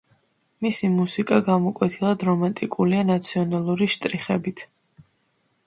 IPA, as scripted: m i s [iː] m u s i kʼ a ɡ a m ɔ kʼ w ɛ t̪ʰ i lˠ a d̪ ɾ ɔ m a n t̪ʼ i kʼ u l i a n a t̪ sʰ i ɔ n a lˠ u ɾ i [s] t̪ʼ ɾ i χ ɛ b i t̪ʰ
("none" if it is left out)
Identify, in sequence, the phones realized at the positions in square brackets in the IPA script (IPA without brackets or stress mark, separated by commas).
i, ʃ